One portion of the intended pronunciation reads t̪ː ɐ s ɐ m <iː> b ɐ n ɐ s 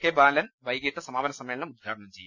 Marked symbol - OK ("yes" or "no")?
no